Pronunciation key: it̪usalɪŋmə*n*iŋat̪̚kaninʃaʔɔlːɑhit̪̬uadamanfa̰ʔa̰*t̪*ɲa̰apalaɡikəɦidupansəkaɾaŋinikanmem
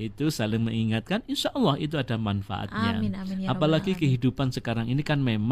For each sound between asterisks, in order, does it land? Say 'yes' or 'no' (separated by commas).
no, yes